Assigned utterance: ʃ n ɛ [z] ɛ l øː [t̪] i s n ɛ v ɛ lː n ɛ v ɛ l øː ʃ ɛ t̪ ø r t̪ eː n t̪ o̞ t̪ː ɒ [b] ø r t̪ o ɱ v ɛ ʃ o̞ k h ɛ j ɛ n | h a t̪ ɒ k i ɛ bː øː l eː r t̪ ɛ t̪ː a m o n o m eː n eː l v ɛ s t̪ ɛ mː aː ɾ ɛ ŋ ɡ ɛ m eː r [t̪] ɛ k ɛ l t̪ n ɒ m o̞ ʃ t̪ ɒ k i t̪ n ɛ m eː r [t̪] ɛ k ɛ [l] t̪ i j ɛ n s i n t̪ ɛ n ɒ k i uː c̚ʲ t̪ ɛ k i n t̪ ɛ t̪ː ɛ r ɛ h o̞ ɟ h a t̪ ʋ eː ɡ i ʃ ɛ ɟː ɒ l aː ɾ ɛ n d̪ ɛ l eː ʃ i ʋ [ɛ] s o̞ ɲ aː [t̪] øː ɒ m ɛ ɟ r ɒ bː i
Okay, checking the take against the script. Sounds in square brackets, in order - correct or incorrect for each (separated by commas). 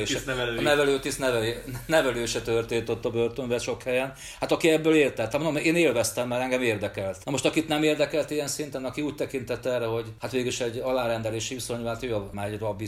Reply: incorrect, correct, correct, incorrect, incorrect, correct, incorrect, correct